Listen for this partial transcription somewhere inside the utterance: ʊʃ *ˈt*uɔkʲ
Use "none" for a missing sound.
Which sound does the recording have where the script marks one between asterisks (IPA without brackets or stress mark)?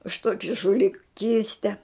t